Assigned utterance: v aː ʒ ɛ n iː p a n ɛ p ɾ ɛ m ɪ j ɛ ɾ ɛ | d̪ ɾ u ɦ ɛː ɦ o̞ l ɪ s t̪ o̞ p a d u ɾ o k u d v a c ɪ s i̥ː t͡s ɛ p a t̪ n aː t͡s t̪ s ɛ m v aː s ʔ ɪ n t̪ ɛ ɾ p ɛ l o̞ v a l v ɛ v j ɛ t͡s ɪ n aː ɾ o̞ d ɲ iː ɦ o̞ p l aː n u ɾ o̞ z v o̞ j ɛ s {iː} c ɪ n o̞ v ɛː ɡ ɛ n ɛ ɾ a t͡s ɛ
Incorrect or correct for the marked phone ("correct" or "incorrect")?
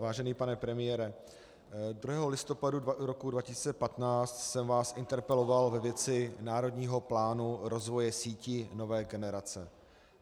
correct